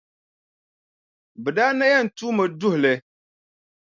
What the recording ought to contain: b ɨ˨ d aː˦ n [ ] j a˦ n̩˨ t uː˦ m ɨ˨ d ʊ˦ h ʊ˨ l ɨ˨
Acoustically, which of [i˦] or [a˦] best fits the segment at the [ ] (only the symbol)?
a˦